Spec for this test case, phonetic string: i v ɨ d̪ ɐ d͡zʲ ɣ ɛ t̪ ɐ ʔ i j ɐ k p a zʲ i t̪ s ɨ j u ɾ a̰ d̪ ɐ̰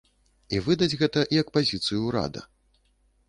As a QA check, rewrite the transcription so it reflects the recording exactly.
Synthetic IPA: i v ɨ d̪ ɐ d͡zʲ ɣ ɛ t̪ ɐ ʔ i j ɐ k p a zʲ i t̪ s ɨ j u ɾ a̰ d̪ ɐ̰